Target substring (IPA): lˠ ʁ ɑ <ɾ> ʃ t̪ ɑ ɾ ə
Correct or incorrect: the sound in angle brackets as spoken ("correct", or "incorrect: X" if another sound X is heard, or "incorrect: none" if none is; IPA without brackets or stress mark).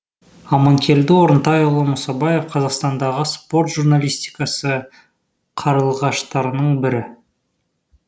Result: incorrect: none